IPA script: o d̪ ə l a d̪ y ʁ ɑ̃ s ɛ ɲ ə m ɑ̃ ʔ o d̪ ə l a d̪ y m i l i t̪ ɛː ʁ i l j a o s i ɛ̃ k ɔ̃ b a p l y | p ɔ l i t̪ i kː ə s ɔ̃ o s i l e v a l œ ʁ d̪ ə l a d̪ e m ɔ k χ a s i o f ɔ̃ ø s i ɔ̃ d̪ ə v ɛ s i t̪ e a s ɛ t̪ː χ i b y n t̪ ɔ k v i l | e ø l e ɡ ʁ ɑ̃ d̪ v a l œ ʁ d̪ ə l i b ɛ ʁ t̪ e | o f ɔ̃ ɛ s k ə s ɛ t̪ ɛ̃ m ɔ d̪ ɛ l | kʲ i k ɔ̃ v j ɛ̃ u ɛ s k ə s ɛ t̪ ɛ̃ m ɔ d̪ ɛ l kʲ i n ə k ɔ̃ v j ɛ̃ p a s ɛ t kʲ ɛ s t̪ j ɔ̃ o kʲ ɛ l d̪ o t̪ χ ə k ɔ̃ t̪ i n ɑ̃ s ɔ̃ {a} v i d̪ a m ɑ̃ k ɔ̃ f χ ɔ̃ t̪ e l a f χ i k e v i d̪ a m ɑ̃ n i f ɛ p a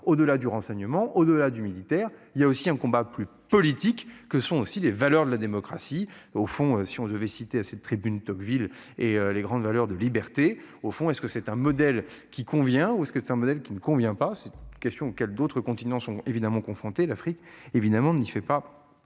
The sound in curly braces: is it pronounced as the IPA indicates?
no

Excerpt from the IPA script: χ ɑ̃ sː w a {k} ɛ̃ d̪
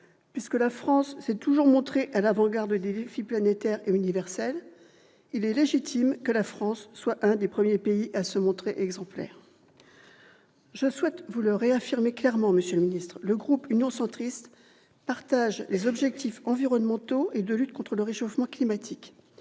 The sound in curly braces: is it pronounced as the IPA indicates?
no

